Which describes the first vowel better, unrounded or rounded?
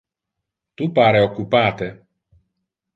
rounded